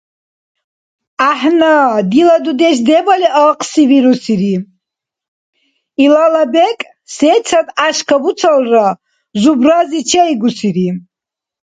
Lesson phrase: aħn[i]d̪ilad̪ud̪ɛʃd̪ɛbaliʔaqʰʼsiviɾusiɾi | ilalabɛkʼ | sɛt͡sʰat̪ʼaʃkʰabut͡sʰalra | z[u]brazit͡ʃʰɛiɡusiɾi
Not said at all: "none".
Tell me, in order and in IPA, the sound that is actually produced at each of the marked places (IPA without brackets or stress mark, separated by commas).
a, u